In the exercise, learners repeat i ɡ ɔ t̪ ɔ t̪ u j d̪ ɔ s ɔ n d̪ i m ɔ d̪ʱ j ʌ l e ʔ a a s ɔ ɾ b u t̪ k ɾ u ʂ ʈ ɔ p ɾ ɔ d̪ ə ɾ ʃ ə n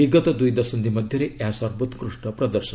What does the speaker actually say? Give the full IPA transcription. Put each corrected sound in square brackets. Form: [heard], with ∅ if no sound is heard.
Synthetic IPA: i ɡ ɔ t̪ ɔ [d̪] u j d̪ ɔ s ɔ n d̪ i m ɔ d̪ʱ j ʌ [ɾ] e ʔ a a s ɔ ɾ b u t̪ k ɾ u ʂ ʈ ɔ p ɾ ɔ d̪ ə ɾ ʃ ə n